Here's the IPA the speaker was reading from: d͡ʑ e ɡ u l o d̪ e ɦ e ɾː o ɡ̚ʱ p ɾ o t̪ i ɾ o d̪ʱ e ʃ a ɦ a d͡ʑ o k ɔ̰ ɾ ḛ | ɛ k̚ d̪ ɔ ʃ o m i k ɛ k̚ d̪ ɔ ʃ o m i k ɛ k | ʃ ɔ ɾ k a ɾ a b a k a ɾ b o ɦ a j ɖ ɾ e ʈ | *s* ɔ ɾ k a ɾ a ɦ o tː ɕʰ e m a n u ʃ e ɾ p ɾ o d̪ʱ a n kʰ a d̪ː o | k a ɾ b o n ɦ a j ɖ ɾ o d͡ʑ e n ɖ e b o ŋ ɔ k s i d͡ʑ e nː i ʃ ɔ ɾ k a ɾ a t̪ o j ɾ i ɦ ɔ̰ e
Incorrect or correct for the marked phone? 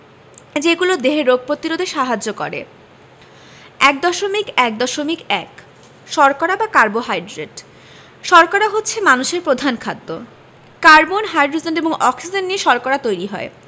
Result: incorrect: ʃ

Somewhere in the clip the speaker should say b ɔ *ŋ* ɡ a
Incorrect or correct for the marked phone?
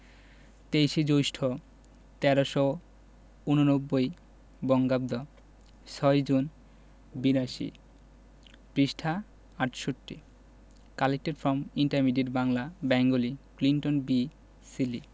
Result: correct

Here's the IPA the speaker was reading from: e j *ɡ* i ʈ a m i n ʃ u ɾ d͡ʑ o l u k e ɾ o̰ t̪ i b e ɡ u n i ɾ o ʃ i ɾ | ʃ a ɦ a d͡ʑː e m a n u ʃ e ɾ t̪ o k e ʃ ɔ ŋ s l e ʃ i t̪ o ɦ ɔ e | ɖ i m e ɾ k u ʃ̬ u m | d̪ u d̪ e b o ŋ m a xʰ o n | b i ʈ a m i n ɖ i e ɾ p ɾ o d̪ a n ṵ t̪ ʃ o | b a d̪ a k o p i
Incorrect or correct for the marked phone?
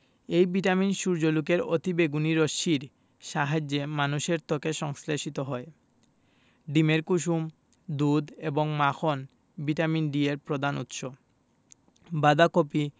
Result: incorrect: b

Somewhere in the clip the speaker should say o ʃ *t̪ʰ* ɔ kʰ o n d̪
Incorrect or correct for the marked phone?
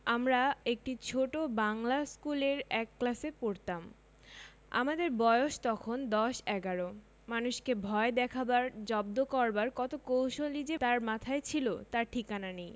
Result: incorrect: t̪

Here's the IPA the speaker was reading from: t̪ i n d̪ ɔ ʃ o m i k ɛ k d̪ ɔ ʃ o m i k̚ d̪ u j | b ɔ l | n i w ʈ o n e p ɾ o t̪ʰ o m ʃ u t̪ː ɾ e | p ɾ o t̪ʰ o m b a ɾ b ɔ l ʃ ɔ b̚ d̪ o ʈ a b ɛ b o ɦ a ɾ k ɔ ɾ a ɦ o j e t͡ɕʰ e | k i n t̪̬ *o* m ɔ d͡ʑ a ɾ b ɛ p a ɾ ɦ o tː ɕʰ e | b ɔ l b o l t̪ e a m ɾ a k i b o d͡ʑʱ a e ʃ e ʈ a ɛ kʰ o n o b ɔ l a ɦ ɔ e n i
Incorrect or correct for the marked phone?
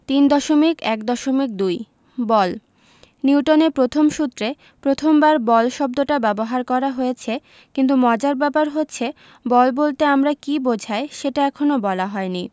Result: incorrect: u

